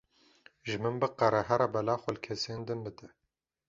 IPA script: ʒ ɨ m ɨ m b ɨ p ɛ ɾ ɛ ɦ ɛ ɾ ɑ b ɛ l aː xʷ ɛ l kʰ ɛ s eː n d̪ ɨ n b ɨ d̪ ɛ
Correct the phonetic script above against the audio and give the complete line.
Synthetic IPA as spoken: ʒ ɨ m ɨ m b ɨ q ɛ ɾ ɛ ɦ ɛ ɾ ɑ b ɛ l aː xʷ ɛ l kʰ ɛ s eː n d̪ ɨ n b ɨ d̪ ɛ